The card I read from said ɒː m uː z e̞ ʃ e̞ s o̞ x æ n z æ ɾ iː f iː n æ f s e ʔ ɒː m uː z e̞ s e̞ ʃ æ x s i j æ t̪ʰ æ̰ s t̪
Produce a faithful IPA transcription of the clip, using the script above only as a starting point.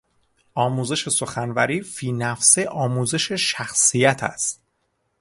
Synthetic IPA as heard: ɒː m uː z e̞ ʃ e̞ s o̞ x æ n v æ ɾ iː f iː n æ f s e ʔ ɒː m uː z e̞ ʃ e̞ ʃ æ x s i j æ t̪ʰ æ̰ s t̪

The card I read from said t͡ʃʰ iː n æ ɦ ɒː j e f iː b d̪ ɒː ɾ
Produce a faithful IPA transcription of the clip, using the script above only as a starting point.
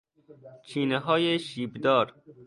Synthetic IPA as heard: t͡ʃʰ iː n e ɦ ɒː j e ʃ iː b d̪ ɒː ɾ

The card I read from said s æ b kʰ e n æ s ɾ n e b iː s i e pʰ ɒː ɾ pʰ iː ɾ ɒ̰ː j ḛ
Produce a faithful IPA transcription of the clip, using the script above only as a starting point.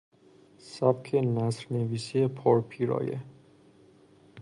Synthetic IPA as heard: s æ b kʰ e n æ s ɾ n e v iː s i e pʰ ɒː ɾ pʰ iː ɾ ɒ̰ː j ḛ

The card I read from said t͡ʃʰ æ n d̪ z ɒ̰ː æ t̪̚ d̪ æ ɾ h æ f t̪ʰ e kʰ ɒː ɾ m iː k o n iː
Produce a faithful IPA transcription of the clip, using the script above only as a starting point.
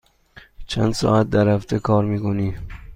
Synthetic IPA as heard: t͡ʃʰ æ n d̪ s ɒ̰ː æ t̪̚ d̪ æ ɾ h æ f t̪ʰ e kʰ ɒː ɾ m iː k o n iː

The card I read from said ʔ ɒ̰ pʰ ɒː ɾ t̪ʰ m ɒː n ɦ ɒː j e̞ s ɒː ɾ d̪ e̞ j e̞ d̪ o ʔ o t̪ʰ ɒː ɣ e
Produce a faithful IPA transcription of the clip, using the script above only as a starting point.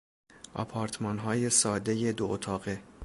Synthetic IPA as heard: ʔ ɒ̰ pʰ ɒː ɾ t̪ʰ m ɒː n ɦ ɒː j e̞ s ɒː d̪ e̞ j e̞ d̪ o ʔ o t̪ʰ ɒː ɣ e

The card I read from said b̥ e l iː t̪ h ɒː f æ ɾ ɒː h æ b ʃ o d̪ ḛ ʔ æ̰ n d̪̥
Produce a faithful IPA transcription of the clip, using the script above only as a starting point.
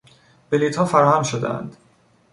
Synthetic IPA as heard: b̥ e l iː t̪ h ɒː f æ ɾ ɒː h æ m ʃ o d̪ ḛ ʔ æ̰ n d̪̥

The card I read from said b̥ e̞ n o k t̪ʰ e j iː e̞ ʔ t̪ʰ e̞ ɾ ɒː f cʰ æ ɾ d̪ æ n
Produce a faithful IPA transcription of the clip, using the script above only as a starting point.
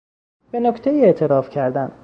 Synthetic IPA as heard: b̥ e̞ n o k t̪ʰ e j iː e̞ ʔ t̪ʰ e̞ ɾ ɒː f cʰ æ ɾ d̪ æ n

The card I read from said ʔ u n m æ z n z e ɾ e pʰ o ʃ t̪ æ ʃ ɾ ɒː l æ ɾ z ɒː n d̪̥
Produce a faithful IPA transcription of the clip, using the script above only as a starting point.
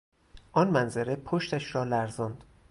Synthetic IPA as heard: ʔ ɒ n m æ n z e ɾ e pʰ o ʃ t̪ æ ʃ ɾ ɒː l æ ɾ z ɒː n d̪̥

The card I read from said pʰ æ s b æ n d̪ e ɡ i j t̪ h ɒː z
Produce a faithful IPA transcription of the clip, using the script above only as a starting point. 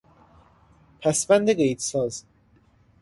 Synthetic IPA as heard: pʰ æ s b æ n d̪ e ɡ e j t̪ s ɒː z

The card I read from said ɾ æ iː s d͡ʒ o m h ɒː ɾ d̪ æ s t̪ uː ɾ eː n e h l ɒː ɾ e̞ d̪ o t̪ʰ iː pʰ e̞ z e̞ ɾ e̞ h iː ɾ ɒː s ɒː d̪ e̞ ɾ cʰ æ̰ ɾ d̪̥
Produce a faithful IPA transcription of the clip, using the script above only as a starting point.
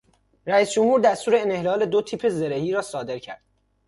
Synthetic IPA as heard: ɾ æ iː s d͡ʒ o m h uː ɾ d̪ æ s t̪ uː ɾ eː n e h l ɒː l e̞ d̪ o t̪ʰ iː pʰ e̞ z e̞ ɾ e̞ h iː ɾ ɒː s ɒː d̪ e̞ ɾ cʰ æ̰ ɾ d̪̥

